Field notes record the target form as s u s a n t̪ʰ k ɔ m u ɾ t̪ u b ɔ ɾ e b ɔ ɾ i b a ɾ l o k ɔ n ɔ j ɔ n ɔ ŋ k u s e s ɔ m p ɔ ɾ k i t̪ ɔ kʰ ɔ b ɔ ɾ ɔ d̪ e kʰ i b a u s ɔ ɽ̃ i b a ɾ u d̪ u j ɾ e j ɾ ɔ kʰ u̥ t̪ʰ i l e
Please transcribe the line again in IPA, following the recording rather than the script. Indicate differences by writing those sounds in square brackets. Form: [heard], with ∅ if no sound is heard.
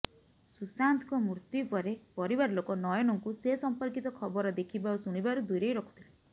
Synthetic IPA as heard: s u s a n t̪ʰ k ɔ m u ɾ t̪ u [p] ɔ ɾ e [p] ɔ ɾ i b a ɾ l o k ɔ n ɔ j ɔ n ɔ ŋ k u s e s ɔ m p ɔ ɾ k i t̪ ɔ kʰ ɔ b ɔ ɾ ɔ d̪ e kʰ i b a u s [u] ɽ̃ i b a ɾ u d̪ u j ɾ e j ɾ ɔ kʰ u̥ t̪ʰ i l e